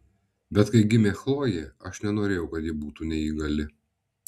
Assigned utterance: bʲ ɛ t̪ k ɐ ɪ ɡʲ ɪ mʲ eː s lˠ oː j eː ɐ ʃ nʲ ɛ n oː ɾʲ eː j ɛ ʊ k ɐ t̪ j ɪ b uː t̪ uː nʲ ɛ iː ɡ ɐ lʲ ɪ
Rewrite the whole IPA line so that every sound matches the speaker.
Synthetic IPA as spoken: bʲ ɛ t̪ k ɐ ɪ ɡʲ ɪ mʲ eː x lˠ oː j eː ɐ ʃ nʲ ɛ n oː ɾʲ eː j ɛ ʊ k ɐ t̪ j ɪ b uː t̪ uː nʲ ɛ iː ɡ ɐ lʲ ɪ